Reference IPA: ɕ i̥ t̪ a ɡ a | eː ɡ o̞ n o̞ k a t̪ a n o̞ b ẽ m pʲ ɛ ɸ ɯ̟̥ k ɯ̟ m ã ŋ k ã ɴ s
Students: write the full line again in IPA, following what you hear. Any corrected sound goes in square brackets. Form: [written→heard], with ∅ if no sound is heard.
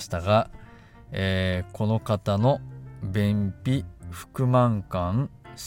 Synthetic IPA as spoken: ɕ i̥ t̪ a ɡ a | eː [ɡ→k] o̞ n o̞ k a t̪ a n o̞ b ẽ m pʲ [ɛ→i] ɸ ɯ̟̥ k ɯ̟ m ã ŋ k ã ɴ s